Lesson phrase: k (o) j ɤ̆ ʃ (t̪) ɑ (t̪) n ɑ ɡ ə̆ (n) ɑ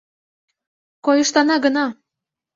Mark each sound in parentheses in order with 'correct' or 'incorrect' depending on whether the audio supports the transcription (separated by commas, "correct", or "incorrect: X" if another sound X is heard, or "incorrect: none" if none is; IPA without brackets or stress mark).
correct, correct, incorrect: none, correct